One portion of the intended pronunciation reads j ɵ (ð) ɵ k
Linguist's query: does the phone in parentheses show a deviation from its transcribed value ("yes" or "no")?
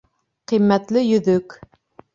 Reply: no